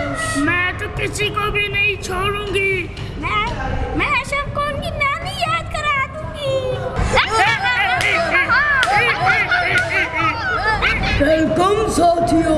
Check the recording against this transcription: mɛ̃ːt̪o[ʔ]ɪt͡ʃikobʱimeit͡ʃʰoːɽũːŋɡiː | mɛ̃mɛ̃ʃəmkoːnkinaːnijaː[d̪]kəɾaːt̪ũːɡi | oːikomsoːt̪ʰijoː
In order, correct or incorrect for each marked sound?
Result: incorrect, correct

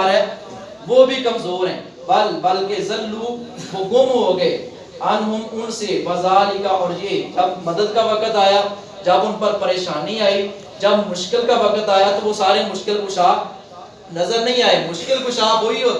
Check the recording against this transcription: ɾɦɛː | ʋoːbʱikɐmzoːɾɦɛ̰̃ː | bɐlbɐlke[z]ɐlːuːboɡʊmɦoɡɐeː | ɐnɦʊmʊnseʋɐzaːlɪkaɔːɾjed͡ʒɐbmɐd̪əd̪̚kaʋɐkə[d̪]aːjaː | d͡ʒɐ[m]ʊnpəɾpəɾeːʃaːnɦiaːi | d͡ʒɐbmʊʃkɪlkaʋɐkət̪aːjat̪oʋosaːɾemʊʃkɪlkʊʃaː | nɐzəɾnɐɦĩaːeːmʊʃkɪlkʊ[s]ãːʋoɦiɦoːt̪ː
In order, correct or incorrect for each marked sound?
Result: correct, incorrect, incorrect, incorrect

